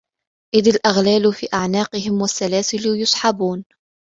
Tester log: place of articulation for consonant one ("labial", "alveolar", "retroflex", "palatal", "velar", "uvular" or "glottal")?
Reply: glottal